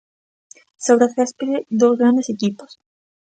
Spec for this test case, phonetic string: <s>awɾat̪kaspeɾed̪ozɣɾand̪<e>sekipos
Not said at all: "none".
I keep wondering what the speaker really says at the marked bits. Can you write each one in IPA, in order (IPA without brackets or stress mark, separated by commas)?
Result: s, e